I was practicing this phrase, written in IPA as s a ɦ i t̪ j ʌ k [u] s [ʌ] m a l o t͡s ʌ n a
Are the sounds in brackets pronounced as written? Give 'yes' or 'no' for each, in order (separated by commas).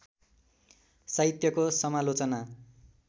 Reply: no, yes